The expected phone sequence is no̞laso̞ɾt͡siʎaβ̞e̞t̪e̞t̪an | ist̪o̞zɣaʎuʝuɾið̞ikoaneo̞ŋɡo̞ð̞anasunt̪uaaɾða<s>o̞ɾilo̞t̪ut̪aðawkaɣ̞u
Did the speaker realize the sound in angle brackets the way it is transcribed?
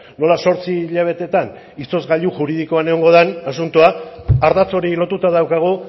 no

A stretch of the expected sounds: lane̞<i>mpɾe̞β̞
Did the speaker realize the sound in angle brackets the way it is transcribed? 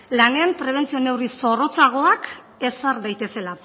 no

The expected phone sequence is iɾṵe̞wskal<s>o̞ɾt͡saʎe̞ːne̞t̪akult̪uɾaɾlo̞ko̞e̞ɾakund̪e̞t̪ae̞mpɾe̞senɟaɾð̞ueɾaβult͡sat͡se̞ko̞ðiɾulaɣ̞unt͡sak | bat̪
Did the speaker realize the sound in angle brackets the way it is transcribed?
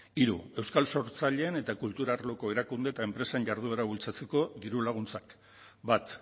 yes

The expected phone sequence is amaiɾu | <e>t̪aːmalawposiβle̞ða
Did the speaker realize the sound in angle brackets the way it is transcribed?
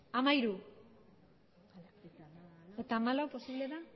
yes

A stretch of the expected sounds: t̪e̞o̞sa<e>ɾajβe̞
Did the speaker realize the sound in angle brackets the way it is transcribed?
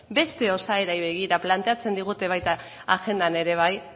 yes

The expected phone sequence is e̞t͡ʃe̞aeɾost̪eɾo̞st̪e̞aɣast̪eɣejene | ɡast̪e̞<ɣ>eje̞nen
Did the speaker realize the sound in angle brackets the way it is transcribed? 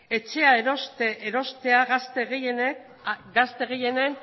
yes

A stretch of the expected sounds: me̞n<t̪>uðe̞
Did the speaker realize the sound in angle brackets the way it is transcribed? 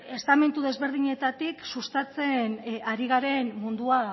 yes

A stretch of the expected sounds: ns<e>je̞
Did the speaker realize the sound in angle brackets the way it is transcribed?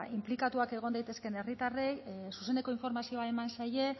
no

